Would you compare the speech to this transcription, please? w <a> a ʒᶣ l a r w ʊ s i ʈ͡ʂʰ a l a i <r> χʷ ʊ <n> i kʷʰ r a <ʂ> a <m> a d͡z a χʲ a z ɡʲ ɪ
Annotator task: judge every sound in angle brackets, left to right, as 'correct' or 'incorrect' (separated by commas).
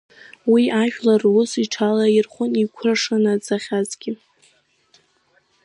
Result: incorrect, correct, correct, correct, incorrect